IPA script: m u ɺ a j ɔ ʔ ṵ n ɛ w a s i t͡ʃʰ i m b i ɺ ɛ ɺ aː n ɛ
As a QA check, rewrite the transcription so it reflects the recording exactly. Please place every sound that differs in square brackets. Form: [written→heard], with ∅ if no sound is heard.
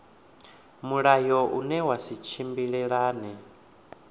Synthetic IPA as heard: m u ɺ a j ɔ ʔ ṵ n ɛ w a s i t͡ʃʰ i m b i ɺ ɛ ɺ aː n ɛ

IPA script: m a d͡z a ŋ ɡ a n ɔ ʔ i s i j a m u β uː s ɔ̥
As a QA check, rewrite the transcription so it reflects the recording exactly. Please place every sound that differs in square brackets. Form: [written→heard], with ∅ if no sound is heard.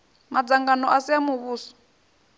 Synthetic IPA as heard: m a d͡z a ŋ ɡ a n ɔ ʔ [i→a] s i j a m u β uː s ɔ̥

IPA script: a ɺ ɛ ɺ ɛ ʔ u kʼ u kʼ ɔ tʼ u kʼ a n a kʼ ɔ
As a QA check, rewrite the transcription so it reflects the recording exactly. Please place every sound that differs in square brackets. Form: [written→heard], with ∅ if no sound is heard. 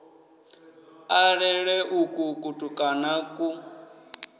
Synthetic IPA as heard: a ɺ ɛ ɺ ɛ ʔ u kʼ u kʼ [ɔ→u] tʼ u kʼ a n a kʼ [ɔ→u]

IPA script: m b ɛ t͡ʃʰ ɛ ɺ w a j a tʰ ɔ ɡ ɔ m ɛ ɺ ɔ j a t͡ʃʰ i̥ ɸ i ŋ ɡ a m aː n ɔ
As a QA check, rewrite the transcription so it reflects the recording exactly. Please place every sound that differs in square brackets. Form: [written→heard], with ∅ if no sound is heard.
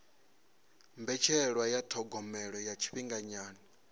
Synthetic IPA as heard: m b ɛ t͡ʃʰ ɛ ɺ w a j a tʰ ɔ ɡ ɔ m ɛ ɺ ɔ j a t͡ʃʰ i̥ ɸ i ŋ ɡ a [m→ɲ] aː n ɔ

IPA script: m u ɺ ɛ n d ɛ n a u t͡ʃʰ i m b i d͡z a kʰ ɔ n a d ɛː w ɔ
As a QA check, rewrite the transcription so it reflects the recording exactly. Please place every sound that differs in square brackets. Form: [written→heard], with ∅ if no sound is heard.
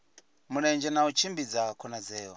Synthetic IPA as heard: m u ɺ ɛ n [d→d͡ʒ] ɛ n a u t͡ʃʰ i m b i d͡z a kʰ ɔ n a [d→d͡z] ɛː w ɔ

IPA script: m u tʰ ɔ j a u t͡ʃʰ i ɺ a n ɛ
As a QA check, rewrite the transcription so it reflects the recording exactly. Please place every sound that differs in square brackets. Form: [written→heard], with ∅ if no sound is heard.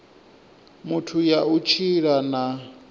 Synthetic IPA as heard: m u tʰ [ɔ→u] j a u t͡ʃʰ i ɺ a n [ɛ→a]

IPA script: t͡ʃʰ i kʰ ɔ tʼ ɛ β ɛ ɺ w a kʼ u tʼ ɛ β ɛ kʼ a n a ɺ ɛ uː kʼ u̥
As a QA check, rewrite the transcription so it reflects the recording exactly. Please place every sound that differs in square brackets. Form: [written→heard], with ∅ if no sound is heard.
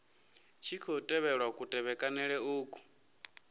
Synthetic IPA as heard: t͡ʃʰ i kʰ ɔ tʼ ɛ β ɛ ɺ w a kʼ u tʼ ɛ β ɛ kʼ a n [a→ɛ] ɺ ɛ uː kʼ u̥

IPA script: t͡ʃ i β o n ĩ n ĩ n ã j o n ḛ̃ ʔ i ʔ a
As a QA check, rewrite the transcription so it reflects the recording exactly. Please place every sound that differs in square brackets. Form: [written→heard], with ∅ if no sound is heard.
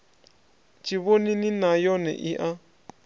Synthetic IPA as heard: t͡ʃ i β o n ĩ n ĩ n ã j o n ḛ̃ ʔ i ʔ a

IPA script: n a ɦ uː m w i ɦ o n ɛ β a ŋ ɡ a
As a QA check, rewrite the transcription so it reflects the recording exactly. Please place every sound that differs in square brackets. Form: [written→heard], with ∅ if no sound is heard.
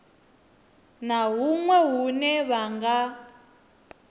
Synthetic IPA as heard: n a ɦ [uː→u] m w [i→ɛ] ɦ [o→u] n ɛ β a ŋ ɡ a

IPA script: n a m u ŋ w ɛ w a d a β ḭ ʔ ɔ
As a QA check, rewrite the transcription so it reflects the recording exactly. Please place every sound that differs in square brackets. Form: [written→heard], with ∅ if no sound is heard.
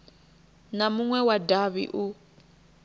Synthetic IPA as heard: n a m u ŋ w ɛ w a d a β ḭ ʔ [ɔ→u]

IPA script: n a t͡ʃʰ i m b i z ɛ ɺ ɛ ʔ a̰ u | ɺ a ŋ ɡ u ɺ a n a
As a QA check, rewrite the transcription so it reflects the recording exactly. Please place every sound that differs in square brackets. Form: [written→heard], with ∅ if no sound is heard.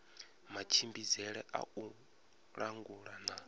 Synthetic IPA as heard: [n→m] a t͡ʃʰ i m b i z ɛ ɺ ɛ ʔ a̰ u | ɺ a ŋ ɡ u ɺ a n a

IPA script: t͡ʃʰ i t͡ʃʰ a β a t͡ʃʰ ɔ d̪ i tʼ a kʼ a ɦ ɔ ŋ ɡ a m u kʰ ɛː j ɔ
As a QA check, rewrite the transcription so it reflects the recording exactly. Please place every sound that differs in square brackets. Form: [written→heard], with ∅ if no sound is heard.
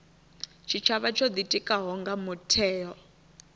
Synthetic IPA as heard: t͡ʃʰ i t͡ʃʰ a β a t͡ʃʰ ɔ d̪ i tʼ [a→i] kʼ a ɦ ɔ ŋ ɡ a m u [kʰ→tʰ] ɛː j ɔ

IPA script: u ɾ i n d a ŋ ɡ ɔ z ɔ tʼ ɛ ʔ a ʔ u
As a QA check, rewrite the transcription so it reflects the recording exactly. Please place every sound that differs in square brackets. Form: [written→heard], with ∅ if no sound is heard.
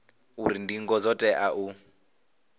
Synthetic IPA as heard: u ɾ i n d [a→i] ŋ ɡ ɔ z ɔ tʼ ɛ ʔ a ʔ u

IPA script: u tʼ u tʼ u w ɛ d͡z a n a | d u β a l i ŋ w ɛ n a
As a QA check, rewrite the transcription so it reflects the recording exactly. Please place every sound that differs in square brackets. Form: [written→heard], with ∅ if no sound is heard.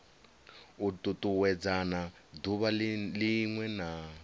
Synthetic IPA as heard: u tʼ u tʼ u w ɛ d͡z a n a | d u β a l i ŋ w ɛ n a

